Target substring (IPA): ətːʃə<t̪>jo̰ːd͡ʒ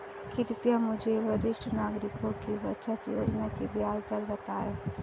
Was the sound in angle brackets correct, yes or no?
yes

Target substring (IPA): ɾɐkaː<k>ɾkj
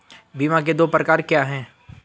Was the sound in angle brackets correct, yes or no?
no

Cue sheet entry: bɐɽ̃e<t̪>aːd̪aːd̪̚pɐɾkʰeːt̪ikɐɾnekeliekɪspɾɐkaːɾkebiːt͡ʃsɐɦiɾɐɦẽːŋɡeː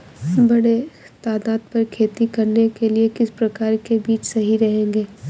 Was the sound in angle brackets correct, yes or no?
yes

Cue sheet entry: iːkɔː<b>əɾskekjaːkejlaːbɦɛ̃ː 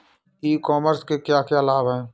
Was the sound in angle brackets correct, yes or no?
no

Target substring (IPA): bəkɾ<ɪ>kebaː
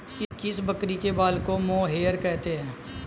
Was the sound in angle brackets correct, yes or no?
no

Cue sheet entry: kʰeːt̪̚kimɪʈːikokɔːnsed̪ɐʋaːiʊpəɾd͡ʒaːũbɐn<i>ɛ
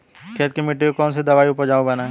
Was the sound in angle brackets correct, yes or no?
no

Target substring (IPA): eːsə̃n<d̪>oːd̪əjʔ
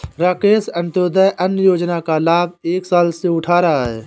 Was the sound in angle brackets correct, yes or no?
no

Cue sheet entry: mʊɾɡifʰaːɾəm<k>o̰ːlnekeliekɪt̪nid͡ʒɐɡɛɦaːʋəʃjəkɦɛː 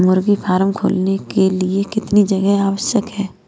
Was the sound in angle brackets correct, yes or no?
no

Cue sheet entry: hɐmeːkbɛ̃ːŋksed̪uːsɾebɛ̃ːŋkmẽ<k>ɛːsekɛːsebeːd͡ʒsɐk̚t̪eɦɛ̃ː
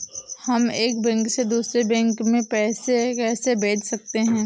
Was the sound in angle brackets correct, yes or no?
no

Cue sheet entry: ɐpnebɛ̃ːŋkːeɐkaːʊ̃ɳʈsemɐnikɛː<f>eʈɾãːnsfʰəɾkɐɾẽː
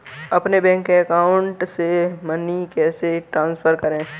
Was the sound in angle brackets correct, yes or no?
no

